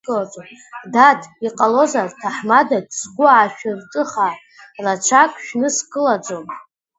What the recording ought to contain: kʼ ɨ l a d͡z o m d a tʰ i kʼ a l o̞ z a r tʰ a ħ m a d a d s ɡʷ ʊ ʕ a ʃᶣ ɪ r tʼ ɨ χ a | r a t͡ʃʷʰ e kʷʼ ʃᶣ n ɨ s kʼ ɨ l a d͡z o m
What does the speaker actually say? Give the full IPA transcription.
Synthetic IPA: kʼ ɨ l a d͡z o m d a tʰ i qʼ a l o̞ z a r tʰ a ħ m a d a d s ɡʷ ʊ ʕ a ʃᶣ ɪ r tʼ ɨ χ a | r a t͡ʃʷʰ a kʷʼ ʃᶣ n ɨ s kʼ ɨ l a d͡z o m